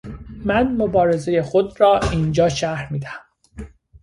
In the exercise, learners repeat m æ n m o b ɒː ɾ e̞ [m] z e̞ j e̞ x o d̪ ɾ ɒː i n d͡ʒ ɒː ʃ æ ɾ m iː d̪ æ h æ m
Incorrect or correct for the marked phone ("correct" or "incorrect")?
incorrect